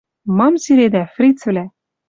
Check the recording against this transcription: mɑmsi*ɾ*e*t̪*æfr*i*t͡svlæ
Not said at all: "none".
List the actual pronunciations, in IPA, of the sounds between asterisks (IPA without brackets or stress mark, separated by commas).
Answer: ɾ, d̪, i